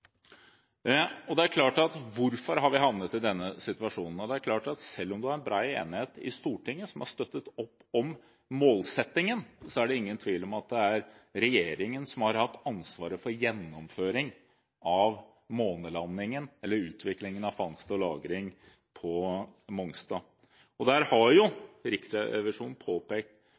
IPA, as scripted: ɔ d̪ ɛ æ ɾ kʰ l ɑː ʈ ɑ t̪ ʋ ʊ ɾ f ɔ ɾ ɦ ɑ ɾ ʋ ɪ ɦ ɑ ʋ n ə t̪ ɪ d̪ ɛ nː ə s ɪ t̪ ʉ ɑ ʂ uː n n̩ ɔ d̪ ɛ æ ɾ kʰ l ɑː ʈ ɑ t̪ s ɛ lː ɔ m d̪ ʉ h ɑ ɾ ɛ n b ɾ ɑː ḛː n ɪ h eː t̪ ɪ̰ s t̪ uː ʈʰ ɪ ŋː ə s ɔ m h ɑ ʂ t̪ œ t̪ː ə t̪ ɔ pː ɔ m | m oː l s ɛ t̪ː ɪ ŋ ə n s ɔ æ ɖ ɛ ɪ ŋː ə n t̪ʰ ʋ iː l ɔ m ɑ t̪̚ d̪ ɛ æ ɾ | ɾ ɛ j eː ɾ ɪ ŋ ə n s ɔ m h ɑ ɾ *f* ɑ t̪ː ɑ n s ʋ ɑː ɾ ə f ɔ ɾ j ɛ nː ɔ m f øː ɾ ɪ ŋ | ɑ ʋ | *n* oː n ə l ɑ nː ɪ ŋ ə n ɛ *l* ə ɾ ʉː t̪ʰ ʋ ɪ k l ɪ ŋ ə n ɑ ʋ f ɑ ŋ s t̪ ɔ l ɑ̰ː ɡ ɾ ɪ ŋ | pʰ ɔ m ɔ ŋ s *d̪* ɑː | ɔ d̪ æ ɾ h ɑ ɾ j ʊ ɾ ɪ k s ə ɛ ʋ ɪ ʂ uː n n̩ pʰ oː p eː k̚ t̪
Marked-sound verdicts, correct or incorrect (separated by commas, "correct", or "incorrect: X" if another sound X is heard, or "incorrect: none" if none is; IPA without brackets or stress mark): incorrect: h, incorrect: m, incorrect: lː, incorrect: t̪